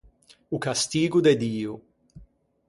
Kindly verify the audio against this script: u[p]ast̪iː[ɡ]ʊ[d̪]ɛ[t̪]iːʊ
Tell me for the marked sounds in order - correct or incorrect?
incorrect, correct, correct, incorrect

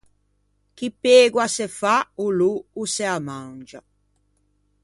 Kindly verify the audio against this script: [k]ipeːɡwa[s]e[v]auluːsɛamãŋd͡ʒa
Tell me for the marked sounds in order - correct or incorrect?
correct, correct, incorrect

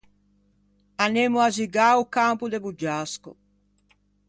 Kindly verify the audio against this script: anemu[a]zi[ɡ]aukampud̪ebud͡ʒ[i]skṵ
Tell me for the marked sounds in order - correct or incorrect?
correct, correct, incorrect

